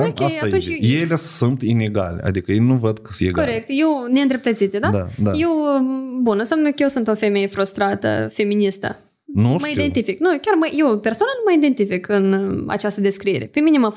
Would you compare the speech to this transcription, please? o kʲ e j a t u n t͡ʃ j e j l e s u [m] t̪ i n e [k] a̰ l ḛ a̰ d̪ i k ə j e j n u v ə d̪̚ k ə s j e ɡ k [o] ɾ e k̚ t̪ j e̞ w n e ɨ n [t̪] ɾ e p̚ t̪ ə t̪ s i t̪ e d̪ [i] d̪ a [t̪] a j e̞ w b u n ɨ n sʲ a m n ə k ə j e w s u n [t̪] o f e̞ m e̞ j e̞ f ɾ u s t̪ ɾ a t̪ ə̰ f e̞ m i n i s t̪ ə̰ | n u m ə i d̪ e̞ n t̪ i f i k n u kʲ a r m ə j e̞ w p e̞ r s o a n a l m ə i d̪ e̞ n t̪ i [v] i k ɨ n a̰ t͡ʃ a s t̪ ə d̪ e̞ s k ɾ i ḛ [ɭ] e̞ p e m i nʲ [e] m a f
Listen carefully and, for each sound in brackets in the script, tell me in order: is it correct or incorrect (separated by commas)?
incorrect, incorrect, correct, incorrect, incorrect, incorrect, correct, incorrect, incorrect, correct